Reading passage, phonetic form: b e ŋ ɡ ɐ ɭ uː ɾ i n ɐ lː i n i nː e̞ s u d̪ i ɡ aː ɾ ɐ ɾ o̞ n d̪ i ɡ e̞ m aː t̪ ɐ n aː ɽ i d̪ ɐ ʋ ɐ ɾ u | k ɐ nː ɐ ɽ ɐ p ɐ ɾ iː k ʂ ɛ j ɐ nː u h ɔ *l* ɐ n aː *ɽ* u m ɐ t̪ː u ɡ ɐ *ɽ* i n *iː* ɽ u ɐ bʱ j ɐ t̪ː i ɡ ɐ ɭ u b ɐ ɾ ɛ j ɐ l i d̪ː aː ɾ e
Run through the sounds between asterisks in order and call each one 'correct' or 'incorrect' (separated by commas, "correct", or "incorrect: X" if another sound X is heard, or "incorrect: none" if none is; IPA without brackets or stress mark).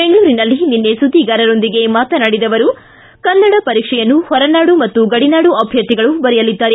incorrect: ɾ, correct, correct, incorrect: aː